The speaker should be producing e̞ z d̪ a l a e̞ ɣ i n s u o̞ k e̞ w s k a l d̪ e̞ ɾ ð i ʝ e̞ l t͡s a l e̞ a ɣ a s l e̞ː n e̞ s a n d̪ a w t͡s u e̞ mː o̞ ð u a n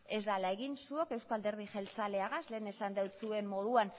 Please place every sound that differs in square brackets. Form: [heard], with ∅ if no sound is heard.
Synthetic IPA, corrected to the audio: e̞ z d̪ a l a e̞ ɣ i n s u o̞ k e̞ w s k a l d̪ e̞ ɾ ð i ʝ e̞ l t͡s a l e̞ a ɣ a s l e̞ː n e̞ s a n d̪ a w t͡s u e̞ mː o̞ ð u a n

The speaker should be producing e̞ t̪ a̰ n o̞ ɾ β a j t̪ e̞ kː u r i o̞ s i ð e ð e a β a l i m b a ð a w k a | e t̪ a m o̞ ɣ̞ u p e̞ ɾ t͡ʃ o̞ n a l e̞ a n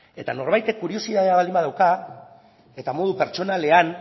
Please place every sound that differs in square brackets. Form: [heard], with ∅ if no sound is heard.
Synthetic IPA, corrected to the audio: e̞ t̪ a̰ n o̞ ɾ β a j t̪ e̞ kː u [ɾ] i o̞ s i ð [a] ð e a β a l i m b a ð a w k a | e t̪ a m o̞ [ð̞] u p e̞ ɾ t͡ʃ o̞ n a l e̞ a n

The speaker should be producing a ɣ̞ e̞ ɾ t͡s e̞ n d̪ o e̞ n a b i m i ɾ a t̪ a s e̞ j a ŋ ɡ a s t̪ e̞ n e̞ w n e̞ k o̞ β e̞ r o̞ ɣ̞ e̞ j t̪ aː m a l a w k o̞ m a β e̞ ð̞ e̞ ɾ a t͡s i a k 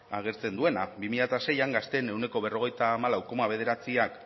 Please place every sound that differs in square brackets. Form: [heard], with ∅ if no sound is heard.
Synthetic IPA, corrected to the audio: a ɣ̞ e̞ ɾ t͡s e̞ n d̪ [u] e̞ n a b i m i [ʎ] a t̪ a s e̞ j a ŋ ɡ a s t̪ e̞ n e̞ w n e̞ k o̞ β e̞ r o̞ ɣ̞ e̞ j t̪ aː m a l a w k o̞ m a β e̞ ð̞ e̞ ɾ a t͡s i a k

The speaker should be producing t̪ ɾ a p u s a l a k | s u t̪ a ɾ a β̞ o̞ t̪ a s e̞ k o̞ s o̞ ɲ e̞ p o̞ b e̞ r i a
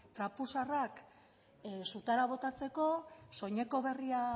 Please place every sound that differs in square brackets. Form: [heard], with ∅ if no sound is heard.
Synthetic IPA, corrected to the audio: t̪ ɾ a p u s a [r] a k | s u t̪ a ɾ a β̞ o̞ t̪ a [t͡s] e̞ k o̞ s o̞ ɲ e̞ [k] o̞ [β] e̞ r i a

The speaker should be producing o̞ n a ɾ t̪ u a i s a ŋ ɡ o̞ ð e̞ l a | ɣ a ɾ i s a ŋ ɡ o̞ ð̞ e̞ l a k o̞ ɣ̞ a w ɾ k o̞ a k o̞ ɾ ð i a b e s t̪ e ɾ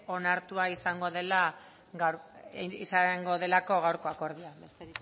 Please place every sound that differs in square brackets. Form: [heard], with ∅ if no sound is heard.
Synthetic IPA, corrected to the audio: o̞ n a ɾ t̪ u a i s a ŋ ɡ o̞ ð e̞ l a | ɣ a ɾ i s a ŋ ɡ o̞ ð̞ e̞ l a k o̞ ɣ̞ a w ɾ k o̞ a k o̞ ɾ ð i a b e s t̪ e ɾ

